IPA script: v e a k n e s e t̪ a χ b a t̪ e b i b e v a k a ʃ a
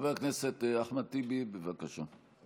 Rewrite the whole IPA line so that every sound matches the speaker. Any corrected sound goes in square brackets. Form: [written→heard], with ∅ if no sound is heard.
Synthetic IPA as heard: v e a k n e s e t̪ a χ [b→m] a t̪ [e→i] b i b e v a k a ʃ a